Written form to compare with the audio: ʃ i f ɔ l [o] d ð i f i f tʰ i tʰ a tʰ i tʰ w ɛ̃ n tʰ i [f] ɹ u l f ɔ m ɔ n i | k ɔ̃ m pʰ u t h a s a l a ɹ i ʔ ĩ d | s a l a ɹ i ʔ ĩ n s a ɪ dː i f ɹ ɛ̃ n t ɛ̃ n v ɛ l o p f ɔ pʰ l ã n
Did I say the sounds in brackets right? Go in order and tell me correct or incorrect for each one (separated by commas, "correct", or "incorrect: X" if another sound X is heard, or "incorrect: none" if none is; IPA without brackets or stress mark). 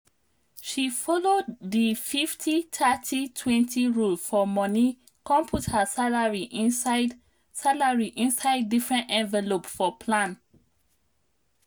correct, incorrect: none